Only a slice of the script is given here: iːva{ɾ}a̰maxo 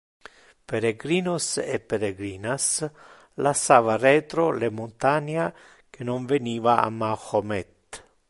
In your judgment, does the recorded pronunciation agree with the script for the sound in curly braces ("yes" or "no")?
no